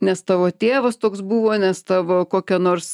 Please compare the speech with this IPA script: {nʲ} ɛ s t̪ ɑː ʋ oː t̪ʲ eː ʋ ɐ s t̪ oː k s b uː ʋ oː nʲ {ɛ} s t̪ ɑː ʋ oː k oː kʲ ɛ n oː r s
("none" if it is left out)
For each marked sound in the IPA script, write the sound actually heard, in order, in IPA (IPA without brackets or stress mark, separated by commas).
nʲ, ɛ